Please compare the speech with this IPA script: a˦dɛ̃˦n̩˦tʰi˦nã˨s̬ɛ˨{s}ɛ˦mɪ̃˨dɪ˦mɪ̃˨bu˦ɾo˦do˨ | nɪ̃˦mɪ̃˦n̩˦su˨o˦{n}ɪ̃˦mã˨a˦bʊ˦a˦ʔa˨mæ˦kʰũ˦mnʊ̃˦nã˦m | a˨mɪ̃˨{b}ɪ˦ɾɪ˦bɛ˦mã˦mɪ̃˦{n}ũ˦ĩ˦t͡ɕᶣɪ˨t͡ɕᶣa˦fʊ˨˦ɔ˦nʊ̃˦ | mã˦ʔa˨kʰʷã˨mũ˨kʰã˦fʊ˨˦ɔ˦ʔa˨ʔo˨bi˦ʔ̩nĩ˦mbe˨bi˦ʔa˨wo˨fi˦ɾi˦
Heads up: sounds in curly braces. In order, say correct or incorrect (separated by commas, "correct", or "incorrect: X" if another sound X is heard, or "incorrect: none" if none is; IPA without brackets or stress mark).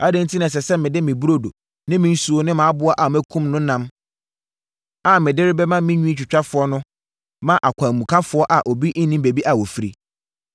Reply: correct, correct, incorrect: d, incorrect: ɲ